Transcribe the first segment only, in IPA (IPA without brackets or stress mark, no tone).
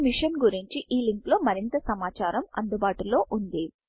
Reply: m